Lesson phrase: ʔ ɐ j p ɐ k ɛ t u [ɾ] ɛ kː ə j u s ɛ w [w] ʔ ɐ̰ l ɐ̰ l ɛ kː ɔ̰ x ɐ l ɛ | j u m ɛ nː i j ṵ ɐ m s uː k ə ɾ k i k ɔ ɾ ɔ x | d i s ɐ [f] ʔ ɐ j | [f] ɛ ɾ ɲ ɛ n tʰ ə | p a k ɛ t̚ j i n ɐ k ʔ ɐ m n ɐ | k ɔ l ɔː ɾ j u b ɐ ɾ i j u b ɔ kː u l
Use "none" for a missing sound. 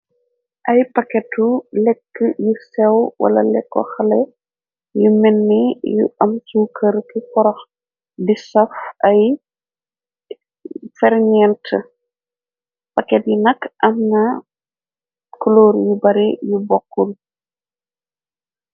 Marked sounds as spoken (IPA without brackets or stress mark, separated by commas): l, w, f, f